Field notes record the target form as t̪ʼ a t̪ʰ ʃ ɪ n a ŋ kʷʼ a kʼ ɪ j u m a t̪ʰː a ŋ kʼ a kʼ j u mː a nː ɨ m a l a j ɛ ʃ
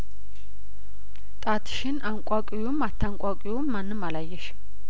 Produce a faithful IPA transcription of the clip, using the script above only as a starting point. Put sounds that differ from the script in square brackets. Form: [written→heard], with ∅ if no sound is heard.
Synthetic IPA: t̪ʼ a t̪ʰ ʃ ɪ n a ŋ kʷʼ a kʼ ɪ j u m a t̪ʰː a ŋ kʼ a kʼ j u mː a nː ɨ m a l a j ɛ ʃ